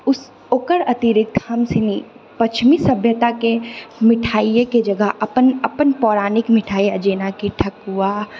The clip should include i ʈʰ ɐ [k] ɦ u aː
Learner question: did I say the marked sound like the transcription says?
yes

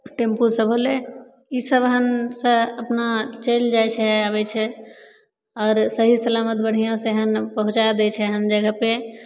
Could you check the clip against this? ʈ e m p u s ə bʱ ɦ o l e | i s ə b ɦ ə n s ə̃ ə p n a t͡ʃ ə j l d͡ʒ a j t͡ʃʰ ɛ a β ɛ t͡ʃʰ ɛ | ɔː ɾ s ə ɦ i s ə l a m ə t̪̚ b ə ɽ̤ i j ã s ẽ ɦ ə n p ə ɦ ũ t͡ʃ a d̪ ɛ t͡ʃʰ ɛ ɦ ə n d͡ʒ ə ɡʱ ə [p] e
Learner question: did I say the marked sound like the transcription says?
yes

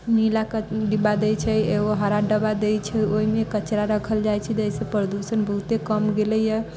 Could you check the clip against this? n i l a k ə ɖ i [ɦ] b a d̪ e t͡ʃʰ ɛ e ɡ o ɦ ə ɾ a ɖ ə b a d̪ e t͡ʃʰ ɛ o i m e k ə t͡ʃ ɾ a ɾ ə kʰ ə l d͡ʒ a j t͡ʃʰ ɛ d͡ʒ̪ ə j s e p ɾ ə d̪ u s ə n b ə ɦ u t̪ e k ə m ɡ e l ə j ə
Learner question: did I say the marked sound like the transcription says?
no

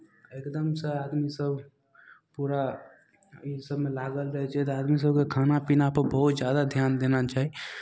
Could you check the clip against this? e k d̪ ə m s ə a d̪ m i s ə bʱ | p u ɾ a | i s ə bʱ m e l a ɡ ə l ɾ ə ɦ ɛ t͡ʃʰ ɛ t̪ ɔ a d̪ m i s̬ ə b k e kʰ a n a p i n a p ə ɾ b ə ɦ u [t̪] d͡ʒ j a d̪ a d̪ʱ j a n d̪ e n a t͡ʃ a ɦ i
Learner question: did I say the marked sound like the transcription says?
yes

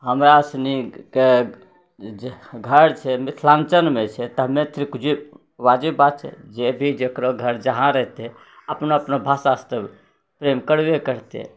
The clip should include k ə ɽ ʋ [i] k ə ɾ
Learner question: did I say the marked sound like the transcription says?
no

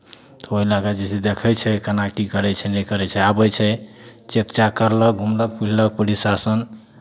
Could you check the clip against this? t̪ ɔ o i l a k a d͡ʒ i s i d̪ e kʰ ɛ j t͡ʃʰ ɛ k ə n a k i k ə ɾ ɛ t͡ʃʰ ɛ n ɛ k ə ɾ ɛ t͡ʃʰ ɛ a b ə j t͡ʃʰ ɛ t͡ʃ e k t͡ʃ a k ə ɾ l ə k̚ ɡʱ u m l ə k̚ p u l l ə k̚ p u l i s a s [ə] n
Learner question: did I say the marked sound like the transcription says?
yes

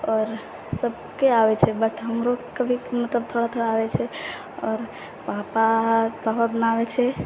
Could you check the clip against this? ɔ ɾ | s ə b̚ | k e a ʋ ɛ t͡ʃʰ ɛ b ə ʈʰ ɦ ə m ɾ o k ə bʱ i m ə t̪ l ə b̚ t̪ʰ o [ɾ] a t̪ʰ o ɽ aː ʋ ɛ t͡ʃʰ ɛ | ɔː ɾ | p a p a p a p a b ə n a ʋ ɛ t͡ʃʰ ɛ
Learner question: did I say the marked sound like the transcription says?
no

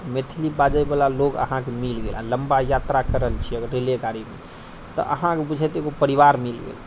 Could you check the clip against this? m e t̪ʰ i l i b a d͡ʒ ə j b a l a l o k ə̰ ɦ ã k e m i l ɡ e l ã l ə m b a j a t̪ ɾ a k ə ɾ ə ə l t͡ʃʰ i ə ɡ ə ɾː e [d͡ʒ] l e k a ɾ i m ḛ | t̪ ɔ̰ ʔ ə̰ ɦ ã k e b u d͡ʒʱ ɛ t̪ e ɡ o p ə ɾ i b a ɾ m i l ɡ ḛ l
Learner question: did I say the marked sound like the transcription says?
no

